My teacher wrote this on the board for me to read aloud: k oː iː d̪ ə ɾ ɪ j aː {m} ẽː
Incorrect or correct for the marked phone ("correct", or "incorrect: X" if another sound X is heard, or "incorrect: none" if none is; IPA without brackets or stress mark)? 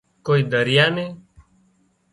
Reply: incorrect: n